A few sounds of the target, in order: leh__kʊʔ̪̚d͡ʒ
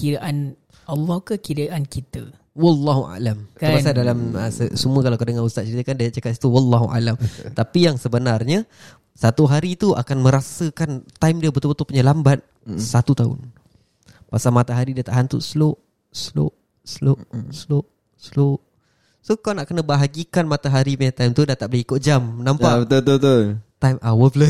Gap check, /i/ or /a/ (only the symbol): i